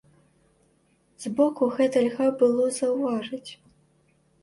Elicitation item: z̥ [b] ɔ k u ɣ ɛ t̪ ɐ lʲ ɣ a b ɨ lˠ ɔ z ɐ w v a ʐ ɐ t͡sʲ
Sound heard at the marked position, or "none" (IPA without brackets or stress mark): b